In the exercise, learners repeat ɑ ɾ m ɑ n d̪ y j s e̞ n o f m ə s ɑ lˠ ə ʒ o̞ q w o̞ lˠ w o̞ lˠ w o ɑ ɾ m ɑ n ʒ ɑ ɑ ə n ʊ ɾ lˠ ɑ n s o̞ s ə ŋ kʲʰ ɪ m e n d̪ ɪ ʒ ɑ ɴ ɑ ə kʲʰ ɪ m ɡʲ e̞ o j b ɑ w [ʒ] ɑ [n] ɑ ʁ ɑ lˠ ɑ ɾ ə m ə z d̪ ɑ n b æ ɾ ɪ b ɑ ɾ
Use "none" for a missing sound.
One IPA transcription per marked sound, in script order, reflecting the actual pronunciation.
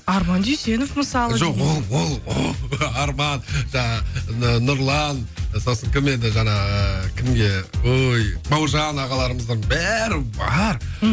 ʒ, n

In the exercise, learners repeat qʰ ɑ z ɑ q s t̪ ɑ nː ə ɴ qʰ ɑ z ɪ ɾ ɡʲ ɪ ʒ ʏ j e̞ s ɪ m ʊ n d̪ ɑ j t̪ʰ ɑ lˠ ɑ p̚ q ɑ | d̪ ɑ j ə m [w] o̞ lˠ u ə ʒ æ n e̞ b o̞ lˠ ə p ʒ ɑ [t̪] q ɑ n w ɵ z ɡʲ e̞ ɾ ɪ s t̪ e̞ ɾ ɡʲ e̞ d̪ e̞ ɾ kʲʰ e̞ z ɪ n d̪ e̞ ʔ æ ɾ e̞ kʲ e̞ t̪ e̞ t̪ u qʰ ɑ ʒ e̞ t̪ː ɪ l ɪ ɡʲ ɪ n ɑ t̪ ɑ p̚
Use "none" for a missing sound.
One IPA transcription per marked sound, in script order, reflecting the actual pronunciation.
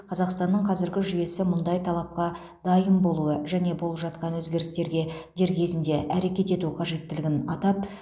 b, t̪

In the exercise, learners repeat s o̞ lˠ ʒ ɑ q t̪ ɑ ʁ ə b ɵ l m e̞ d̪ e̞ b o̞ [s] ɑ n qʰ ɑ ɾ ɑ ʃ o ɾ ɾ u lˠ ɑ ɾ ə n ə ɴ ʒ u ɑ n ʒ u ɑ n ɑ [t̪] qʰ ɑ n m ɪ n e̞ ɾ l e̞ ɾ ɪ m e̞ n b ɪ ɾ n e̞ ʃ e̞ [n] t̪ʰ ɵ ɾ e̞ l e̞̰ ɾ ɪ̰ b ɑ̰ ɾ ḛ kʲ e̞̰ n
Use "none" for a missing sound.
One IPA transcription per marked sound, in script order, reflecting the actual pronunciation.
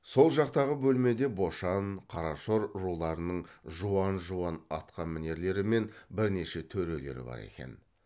ʃ, t̪, none

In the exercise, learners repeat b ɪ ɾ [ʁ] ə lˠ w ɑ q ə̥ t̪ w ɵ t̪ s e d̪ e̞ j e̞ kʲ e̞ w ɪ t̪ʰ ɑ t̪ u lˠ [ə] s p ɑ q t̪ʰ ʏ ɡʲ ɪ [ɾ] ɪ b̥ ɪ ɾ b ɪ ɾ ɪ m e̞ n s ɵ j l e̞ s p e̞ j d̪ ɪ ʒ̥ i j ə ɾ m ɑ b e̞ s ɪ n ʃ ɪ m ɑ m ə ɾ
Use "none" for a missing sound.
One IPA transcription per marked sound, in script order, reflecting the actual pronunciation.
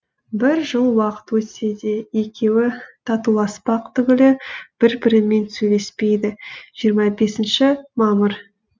ʒ, ɑ, l

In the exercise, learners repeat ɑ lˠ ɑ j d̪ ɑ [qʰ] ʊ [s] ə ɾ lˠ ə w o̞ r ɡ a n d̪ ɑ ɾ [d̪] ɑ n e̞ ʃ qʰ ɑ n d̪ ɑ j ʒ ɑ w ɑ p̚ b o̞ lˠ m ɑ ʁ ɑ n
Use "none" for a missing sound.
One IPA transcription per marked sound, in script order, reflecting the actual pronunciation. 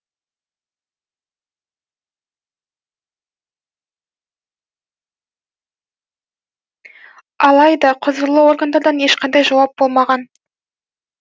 qʰ, z, d̪

